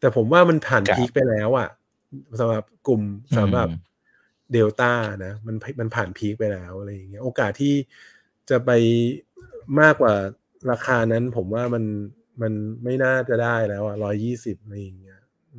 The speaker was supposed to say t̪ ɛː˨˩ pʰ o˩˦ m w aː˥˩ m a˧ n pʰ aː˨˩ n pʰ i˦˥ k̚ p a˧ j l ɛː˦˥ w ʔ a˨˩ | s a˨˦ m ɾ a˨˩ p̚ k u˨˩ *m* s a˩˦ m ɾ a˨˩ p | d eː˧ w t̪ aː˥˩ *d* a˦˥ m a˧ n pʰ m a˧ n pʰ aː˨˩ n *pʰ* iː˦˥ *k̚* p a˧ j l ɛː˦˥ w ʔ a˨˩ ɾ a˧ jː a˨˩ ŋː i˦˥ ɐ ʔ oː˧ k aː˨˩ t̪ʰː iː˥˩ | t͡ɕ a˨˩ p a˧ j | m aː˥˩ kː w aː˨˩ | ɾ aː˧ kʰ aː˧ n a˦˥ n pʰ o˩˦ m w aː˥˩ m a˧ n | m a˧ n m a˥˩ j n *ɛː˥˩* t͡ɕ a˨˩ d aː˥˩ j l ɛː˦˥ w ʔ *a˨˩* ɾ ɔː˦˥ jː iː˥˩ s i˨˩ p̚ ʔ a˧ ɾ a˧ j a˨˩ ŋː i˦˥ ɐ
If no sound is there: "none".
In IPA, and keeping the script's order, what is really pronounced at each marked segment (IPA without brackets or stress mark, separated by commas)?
m, n, pʰ, k̚, aː˥˩, a˨˩